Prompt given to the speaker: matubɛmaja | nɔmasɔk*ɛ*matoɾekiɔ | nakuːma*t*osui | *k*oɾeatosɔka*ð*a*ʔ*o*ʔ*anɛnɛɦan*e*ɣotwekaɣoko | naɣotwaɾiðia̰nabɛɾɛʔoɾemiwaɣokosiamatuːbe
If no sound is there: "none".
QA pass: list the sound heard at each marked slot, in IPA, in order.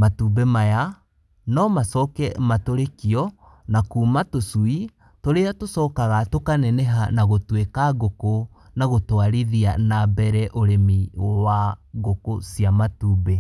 ɛ, t, t, ɣ, t, k, a

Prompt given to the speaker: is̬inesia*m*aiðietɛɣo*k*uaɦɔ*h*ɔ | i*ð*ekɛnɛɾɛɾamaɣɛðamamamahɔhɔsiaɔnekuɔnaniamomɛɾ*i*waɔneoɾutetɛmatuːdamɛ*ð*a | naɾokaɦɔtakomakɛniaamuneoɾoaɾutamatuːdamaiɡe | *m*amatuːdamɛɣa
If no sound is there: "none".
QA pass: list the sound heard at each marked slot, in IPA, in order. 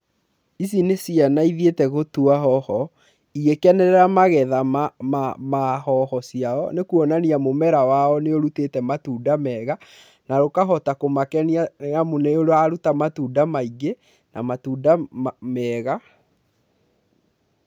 n, t, h, ɣ, a, ɣ, n

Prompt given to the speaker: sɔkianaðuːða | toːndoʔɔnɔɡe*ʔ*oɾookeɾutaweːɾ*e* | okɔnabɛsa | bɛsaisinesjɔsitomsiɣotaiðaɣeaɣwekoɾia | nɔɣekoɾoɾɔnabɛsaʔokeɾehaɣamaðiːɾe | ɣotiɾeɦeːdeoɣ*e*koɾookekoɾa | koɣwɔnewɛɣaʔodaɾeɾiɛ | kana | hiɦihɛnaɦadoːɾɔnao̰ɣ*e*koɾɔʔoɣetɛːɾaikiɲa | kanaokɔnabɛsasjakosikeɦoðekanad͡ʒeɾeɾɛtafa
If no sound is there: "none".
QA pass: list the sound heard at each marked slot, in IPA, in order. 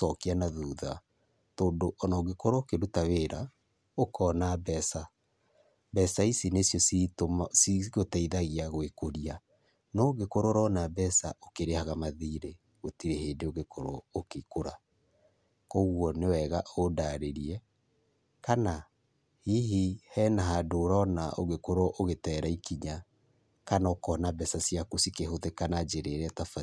k, a, e, e

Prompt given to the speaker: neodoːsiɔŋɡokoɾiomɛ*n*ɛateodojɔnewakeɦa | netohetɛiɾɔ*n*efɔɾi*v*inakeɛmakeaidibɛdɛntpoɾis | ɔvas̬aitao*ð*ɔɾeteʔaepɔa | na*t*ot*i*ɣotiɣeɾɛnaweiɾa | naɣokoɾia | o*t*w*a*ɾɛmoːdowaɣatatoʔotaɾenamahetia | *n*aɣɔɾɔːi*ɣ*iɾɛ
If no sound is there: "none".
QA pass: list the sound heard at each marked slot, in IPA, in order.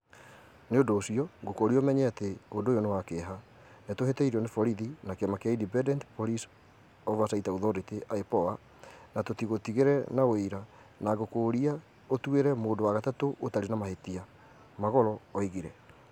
ɲ, n, ð, ð, t, i, t, e, m, ɣ

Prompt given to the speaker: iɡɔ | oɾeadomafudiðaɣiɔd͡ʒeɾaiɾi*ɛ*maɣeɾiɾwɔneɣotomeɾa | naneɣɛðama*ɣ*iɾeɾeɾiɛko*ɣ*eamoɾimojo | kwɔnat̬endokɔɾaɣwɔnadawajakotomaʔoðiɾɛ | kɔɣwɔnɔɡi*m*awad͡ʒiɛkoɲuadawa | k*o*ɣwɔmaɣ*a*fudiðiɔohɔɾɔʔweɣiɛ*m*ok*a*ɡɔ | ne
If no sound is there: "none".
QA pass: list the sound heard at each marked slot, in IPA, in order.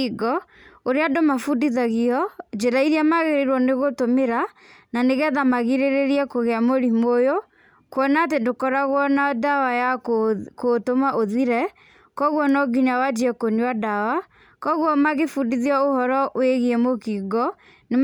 a, ɣ, ɣ, ɲ, ɔ, e, m, i

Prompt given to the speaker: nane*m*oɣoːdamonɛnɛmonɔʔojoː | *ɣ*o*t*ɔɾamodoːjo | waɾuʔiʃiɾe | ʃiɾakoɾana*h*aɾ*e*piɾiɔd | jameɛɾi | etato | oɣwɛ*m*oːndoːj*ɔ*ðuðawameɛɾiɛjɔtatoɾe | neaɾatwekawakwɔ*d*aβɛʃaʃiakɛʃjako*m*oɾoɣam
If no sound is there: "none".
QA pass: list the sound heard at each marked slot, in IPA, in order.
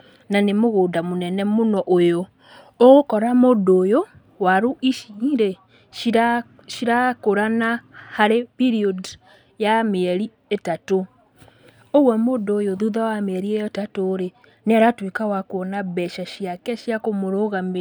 m, ɣ, k, h, e, m, o, n, m

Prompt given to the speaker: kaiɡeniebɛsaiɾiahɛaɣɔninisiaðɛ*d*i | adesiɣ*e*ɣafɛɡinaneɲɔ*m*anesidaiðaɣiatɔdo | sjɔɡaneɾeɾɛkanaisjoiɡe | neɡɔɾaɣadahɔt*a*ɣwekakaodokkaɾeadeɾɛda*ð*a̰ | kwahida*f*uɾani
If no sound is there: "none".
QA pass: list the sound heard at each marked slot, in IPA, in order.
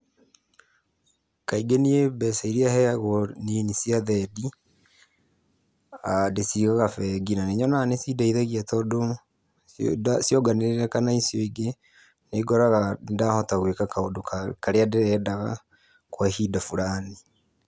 d, a, n, a, ɣ, f

